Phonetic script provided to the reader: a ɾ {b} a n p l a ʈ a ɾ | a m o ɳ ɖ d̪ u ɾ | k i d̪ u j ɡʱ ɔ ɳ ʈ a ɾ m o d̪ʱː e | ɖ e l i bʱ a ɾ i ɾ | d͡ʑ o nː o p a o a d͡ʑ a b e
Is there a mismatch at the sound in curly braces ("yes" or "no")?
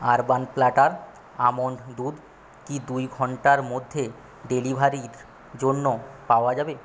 no